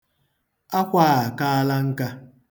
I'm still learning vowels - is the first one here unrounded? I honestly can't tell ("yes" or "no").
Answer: yes